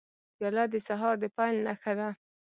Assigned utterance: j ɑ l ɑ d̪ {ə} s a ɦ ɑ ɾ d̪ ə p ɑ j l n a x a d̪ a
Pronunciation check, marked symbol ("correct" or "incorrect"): correct